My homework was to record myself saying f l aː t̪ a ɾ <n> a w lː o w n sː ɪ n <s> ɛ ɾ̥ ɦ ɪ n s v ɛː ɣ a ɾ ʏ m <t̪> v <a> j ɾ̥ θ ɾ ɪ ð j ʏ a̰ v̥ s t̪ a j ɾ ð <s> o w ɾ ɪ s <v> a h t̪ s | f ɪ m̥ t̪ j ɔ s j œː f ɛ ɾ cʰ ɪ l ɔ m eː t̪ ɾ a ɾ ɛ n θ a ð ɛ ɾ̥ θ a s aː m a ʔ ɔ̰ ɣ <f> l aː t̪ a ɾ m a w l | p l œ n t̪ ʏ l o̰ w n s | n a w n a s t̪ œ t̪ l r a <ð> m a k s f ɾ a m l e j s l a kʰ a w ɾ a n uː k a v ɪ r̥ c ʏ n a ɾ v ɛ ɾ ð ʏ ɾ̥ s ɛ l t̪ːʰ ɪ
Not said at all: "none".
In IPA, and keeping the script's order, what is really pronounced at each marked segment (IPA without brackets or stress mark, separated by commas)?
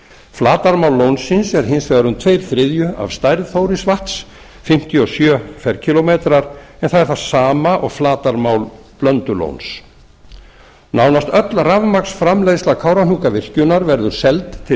m, s, t̪ʰ, e, θ, v, f, v